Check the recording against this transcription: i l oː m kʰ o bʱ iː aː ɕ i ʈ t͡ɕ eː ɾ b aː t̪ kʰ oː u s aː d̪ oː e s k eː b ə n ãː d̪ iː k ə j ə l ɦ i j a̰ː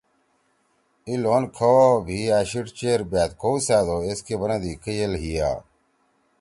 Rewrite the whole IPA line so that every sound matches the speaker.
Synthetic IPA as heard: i l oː n kʰ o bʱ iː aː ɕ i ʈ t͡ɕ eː ɾ b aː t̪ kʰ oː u s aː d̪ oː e s k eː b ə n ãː d̪ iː k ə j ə l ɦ i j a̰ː